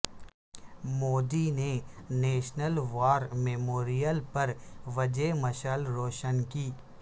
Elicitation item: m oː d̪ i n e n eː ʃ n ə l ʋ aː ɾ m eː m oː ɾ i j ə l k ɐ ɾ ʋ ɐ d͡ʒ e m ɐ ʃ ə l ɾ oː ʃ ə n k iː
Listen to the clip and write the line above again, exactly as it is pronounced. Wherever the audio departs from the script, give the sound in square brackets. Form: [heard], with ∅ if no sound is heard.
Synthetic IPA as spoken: m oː d̪ i n e n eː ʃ n ə l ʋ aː ɾ m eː m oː ɾ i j ə l [p] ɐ ɾ ʋ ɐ d͡ʒ e m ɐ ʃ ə l ɾ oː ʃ ə n k iː